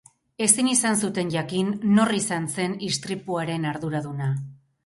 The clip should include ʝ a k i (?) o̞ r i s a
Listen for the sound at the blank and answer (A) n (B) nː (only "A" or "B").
B